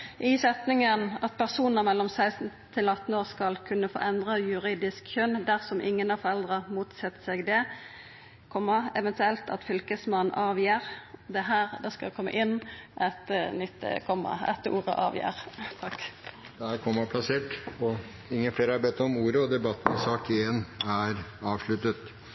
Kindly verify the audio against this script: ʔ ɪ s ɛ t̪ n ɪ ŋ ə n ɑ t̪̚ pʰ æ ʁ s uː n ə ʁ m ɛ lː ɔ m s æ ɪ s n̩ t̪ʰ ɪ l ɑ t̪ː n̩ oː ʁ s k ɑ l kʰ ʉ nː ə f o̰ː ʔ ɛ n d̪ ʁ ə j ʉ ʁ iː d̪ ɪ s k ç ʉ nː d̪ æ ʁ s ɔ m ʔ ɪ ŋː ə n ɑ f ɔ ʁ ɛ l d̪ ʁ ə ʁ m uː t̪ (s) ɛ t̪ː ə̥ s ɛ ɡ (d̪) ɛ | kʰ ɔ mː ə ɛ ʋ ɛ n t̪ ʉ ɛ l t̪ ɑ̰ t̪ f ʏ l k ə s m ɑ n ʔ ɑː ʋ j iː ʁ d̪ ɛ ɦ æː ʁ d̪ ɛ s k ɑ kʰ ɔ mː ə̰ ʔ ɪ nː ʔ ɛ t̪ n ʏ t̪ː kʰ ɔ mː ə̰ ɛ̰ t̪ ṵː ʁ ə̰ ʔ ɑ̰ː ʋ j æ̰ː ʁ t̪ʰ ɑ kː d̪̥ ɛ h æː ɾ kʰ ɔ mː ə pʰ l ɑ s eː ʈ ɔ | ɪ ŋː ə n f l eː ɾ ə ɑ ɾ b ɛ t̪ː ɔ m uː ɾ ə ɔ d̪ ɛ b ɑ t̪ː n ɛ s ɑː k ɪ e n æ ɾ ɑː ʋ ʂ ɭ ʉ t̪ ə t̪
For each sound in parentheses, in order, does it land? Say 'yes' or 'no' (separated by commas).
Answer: yes, yes